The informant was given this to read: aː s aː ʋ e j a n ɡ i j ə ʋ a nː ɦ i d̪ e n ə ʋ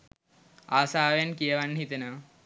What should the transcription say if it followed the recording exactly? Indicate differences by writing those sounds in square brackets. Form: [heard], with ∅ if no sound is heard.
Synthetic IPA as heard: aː s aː ʋ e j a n [k] i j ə ʋ a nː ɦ i [t̪] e n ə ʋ

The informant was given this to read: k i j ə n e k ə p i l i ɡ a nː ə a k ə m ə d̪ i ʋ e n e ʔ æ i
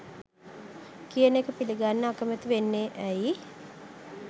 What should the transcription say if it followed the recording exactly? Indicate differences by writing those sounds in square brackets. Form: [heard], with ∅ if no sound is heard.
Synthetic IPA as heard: k i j ə n e k ə p i l i ɡ a nː ə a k ə m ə [t̪] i ʋ e [nː] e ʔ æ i

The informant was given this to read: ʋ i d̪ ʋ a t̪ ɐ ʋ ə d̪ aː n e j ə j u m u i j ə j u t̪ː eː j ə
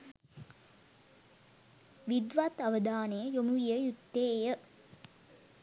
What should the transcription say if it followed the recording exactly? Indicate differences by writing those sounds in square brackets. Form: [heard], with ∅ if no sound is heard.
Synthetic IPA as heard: ʋ i d̪ ʋ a t̪ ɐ ʋ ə d̪ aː n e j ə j [o] m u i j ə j u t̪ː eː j ə

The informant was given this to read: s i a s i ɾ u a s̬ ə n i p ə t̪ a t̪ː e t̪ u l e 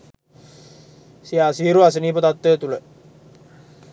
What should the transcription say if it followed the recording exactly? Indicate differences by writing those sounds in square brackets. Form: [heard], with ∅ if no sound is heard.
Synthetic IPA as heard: s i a s i ɾ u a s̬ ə n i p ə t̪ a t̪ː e t̪ u l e

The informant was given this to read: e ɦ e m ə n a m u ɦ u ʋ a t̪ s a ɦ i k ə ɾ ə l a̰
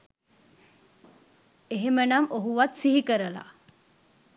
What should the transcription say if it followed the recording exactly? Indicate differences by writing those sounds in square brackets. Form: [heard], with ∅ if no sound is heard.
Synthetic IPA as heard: e ɦ e m ə n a m [o] ɦ u ʋ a t̪ s [i] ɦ i k ə ɾ ə l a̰

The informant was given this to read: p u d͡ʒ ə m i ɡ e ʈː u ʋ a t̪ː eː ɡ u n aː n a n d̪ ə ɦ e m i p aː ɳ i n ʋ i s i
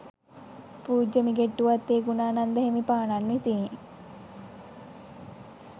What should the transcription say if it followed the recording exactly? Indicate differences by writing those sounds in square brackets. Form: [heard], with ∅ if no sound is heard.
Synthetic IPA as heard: p [uː] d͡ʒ ə m i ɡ e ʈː u ʋ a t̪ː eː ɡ u n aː n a n d̪ ə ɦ e m i p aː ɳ [a] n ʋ i s i

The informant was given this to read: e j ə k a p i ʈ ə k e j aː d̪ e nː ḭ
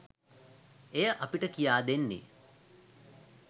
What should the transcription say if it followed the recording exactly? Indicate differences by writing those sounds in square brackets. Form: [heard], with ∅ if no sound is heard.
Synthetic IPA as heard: e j ə [ʔ] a p i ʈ ə k [i] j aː d̪ e nː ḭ

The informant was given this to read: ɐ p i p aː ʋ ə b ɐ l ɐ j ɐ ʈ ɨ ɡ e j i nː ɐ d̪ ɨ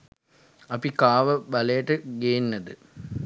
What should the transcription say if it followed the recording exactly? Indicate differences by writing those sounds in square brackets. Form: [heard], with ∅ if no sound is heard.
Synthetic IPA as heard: ɐ p i [k] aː ʋ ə b ɐ l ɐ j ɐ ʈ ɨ ɡ e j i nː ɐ d̪ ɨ

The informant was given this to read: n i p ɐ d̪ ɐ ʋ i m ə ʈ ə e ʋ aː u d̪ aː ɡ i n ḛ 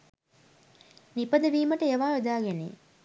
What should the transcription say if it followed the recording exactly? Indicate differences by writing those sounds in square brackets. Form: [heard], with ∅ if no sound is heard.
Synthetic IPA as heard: n i p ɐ d̪ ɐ ʋ [iː] m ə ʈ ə e ʋ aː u d̪ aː ɡ [e] n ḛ

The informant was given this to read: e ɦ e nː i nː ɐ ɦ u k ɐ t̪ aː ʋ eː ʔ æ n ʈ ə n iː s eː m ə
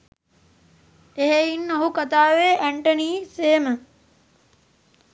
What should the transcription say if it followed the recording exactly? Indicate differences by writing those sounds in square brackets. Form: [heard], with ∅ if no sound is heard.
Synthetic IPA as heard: e ɦ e [∅] i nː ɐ ɦ u k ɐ t̪ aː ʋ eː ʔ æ [ɳ] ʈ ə n iː s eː m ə

